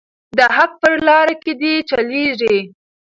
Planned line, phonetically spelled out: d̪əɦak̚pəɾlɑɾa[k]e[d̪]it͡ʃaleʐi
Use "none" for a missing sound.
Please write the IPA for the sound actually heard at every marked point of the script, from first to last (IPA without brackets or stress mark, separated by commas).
k, d̪